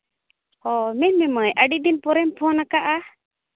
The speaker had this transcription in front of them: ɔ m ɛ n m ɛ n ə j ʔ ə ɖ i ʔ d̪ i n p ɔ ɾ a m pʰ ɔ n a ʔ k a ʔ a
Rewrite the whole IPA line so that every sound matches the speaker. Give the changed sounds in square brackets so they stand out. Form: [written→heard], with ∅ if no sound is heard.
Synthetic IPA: ɔ m ɛ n m ɛ [n→m] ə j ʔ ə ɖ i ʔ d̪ i n p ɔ ɾ [a→ɛ] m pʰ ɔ n a [ʔ→∅] k a ʔ a